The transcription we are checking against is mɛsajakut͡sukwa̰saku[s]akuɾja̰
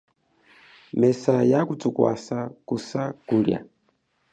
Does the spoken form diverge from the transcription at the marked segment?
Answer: no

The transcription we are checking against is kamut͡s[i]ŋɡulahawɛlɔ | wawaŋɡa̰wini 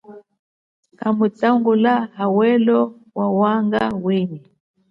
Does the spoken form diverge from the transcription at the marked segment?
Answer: yes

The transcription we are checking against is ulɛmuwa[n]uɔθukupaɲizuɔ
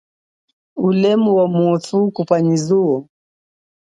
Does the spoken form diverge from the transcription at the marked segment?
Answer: yes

